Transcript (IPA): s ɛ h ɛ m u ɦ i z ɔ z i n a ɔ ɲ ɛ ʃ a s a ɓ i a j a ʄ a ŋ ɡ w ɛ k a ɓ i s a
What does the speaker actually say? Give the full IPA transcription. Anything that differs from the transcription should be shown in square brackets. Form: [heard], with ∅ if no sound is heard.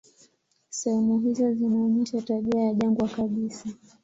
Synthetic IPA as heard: s ɛ h ɛ m u ɦ i z ɔ z i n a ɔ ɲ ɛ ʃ a [t] a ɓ i a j a ʄ a ŋ ɡ w [a] k a ɓ i s a